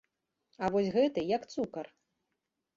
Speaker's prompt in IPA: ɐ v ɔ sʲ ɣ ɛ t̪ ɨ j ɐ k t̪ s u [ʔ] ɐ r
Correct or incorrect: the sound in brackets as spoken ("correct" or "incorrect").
incorrect